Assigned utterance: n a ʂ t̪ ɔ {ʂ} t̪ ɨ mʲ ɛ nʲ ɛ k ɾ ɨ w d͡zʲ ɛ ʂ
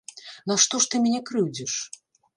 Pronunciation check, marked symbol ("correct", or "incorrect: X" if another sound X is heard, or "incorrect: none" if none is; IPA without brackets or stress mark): correct